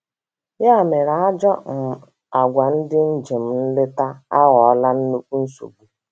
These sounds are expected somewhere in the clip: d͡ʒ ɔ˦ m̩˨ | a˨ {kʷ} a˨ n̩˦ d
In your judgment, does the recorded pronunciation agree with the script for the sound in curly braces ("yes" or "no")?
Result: no